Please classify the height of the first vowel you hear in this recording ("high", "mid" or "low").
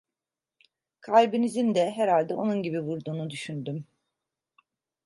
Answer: low